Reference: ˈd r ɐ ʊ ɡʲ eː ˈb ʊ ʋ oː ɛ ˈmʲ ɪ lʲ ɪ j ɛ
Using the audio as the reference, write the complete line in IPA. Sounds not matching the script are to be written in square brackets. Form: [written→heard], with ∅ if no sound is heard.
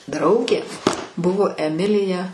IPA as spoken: ˈd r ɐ ʊ ɡʲ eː ˈb ʊ ʋ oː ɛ ˈmʲ ɪ lʲ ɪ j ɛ